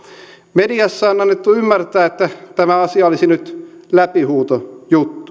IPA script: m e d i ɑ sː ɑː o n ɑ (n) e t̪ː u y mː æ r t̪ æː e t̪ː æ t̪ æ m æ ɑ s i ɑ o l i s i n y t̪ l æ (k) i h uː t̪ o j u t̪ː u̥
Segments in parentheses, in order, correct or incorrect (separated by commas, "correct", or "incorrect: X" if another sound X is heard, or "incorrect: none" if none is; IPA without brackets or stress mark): incorrect: nː, incorrect: p